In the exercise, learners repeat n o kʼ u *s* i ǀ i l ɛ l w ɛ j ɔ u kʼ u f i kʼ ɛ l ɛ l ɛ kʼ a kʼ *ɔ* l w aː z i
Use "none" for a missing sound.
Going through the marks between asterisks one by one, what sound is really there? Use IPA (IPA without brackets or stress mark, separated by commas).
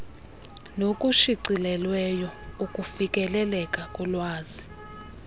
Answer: ʃ, u